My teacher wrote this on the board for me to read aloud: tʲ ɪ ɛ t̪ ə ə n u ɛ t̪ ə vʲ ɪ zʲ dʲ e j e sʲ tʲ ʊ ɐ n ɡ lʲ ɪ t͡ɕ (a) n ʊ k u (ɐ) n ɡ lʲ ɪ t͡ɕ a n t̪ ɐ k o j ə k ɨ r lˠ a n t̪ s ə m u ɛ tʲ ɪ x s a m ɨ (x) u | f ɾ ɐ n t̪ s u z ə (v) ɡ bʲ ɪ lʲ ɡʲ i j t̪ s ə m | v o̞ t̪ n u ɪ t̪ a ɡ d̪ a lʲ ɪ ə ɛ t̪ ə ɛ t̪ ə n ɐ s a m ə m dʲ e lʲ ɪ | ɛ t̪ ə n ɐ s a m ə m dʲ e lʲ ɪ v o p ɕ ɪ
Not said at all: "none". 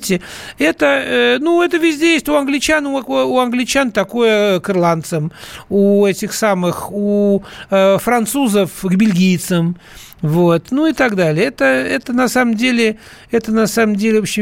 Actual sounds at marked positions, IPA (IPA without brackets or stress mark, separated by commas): a, ɐ, x, f